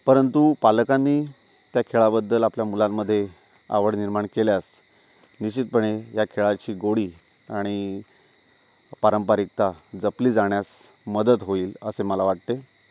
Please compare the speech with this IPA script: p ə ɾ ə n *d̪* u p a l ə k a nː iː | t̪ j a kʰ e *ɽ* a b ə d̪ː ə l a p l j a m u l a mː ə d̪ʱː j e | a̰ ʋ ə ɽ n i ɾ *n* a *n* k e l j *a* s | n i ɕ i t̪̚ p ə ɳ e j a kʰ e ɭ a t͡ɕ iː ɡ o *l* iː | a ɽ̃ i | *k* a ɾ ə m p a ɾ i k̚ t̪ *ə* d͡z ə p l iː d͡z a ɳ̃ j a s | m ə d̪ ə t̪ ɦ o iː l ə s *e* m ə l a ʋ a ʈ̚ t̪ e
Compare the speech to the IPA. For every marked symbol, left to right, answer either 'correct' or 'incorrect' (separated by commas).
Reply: incorrect, incorrect, incorrect, incorrect, correct, incorrect, incorrect, incorrect, correct